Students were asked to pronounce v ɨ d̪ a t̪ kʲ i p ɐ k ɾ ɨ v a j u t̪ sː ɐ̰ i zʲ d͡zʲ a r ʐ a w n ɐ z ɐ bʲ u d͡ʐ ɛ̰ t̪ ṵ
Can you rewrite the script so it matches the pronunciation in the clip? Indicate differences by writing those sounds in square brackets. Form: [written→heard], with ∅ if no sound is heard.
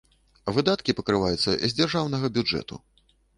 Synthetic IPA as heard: v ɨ d̪ a t̪ kʲ i p ɐ k ɾ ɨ v a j u t̪ sː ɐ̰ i zʲ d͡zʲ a r ʐ a w n ɐ [z→ɣ] ɐ bʲ u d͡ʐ ɛ̰ t̪ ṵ